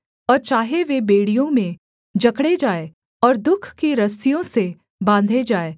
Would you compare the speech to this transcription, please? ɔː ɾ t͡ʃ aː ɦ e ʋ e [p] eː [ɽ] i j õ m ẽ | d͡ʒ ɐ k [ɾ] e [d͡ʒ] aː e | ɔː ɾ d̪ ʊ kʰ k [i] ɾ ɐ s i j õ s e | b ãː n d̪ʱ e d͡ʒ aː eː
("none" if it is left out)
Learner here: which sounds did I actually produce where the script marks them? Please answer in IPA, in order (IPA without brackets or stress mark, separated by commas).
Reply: b, ɽ, ɽ, d͡ʒ, i